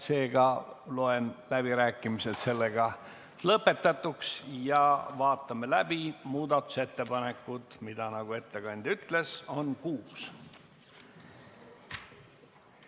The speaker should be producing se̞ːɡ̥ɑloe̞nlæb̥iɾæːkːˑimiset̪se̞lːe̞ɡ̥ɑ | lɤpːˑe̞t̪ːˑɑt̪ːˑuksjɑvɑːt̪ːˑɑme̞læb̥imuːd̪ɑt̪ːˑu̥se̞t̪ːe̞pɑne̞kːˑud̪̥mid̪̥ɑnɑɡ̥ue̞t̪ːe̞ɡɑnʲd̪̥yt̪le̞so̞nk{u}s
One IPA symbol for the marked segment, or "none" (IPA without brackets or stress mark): uː